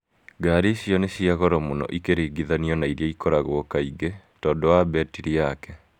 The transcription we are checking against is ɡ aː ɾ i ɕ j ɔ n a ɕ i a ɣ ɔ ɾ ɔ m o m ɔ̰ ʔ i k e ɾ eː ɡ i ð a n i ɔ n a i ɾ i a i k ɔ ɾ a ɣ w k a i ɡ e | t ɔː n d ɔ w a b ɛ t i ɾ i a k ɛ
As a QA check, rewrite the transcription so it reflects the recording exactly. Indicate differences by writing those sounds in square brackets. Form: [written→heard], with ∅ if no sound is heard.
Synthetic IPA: ɡ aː ɾ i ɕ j ɔ n [a→e] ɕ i a ɣ ɔ ɾ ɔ m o [m→n] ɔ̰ ʔ i k e ɾ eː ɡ i ð a n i ɔ n a i ɾ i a i k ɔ ɾ a ɣ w k a i ɡ e | t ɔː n d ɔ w a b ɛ t i ɾ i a k ɛ